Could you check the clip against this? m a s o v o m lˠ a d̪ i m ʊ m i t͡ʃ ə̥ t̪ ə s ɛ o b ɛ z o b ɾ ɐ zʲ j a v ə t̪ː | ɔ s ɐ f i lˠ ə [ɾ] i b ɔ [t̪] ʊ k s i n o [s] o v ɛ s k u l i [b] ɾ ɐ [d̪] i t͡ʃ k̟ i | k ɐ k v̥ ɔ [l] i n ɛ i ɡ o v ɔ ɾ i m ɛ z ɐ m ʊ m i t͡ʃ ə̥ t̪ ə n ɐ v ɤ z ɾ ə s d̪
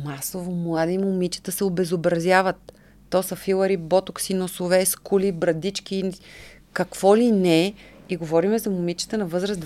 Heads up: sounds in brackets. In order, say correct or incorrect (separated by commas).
correct, correct, correct, correct, correct, correct